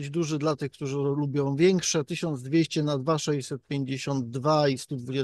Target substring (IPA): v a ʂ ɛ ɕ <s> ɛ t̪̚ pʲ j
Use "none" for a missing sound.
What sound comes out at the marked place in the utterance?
s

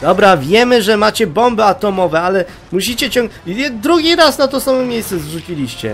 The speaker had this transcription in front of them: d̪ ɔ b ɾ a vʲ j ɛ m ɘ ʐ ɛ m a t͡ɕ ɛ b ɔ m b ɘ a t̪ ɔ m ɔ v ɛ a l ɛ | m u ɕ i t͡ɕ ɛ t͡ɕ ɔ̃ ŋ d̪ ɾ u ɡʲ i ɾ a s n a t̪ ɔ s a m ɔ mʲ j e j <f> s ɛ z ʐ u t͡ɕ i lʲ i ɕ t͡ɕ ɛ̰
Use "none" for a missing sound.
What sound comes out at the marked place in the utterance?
s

